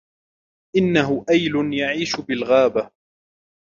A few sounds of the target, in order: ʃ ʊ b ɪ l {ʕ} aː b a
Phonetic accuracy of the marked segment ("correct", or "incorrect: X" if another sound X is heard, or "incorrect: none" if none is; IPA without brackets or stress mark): incorrect: ɣ